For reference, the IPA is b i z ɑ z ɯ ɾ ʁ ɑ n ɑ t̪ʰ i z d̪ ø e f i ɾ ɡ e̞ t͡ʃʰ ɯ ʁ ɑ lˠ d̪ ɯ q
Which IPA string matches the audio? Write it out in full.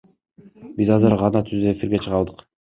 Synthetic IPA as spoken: b i z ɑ z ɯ ɾ ʁ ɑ n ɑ t̪ʰ y z d̪ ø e f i ɾ ɡ e̞ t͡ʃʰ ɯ ʁ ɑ lˠ d̪ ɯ q